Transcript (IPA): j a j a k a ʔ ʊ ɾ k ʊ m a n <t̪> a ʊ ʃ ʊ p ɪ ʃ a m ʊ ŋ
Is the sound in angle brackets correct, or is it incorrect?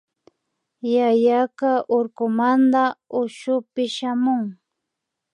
incorrect